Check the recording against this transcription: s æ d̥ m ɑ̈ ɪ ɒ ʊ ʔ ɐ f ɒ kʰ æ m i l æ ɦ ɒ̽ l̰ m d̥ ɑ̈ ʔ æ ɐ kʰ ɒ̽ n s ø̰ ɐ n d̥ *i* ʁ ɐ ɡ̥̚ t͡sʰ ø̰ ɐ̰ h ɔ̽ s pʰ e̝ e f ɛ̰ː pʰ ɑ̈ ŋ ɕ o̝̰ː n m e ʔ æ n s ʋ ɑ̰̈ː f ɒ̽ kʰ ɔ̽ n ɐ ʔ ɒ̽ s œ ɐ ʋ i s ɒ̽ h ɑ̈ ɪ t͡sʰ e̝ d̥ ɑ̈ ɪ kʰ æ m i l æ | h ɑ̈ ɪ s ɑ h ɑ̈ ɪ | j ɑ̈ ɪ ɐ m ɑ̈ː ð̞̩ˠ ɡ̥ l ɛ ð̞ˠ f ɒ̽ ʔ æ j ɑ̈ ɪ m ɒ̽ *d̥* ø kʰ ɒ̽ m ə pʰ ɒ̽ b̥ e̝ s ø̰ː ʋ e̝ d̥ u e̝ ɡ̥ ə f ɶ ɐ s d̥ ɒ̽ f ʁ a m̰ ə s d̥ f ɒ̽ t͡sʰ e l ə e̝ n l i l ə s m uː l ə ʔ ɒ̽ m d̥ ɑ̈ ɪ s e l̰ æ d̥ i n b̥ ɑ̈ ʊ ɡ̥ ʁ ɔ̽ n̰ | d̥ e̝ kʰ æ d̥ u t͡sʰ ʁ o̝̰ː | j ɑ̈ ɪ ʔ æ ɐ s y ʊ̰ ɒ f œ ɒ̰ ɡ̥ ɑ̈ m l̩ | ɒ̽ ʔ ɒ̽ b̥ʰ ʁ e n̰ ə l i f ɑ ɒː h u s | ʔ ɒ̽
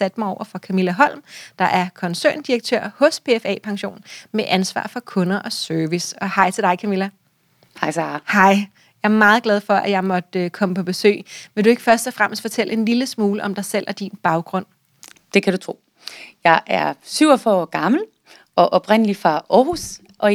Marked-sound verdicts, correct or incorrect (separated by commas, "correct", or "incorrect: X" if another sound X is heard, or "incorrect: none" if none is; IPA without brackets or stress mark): correct, correct